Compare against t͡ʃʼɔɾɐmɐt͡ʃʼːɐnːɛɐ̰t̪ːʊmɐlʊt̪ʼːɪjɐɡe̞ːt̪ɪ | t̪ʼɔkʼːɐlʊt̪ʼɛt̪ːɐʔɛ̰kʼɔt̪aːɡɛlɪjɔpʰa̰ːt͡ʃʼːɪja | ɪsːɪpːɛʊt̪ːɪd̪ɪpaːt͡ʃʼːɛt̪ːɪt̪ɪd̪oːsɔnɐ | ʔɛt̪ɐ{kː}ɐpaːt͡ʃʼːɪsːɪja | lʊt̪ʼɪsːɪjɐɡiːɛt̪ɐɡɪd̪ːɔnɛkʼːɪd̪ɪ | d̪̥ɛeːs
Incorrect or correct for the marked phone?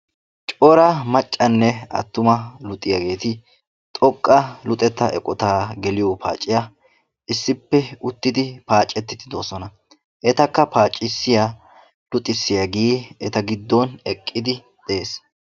correct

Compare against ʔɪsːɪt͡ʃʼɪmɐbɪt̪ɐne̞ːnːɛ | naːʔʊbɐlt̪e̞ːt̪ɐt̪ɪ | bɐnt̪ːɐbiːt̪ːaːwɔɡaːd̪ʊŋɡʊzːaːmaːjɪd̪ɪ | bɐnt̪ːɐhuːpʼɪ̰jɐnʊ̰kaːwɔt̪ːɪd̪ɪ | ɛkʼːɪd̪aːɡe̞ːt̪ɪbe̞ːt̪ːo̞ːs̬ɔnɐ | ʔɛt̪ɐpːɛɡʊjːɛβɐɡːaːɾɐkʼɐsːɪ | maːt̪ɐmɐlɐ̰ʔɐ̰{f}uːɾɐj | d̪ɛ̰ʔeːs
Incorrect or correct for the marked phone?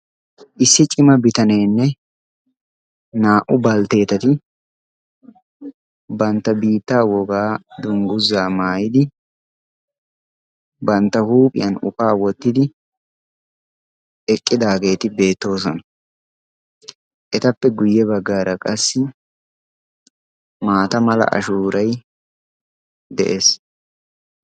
incorrect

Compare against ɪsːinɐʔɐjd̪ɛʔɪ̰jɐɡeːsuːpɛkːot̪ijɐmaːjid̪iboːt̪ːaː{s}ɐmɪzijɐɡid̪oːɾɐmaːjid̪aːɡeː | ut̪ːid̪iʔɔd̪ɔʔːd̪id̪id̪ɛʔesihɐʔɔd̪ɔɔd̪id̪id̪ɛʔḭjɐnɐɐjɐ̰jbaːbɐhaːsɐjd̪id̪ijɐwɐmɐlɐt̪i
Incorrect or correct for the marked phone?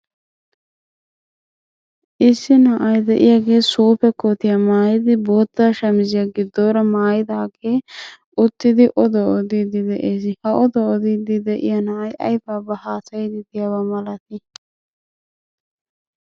incorrect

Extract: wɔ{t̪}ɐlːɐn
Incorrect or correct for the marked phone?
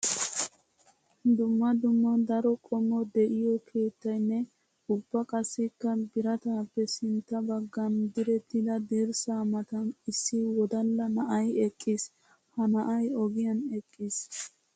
incorrect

